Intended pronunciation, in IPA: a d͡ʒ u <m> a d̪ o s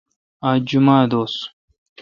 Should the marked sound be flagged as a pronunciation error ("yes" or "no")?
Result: no